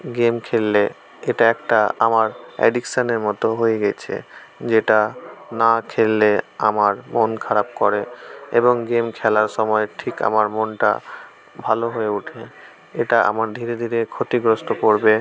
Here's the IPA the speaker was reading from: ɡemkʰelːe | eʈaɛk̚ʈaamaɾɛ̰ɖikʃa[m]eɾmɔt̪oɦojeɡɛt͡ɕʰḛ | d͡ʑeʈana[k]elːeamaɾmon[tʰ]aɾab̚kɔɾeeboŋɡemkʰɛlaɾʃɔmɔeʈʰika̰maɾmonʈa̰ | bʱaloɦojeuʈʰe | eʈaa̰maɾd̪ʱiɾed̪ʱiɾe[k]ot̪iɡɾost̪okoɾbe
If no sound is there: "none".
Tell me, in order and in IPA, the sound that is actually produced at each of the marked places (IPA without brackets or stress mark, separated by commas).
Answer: n, kʰ, kʰ, kʰ